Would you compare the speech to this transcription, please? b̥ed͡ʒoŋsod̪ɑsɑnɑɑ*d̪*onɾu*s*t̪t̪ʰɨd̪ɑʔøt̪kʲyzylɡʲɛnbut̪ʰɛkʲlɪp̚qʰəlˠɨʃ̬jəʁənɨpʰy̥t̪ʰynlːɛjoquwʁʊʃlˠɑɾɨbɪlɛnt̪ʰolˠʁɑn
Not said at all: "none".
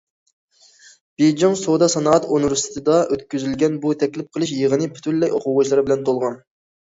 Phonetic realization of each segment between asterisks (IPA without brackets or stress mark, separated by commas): t̪, s